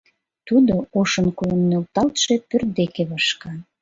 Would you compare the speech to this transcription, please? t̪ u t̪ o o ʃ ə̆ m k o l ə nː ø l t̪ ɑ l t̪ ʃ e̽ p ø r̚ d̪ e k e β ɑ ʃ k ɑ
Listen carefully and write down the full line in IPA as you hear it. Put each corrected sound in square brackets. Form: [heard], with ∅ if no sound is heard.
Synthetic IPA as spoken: t̪ u [d̪] o o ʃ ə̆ [n] k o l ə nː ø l t̪ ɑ l t̪ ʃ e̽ p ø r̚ d̪ e k e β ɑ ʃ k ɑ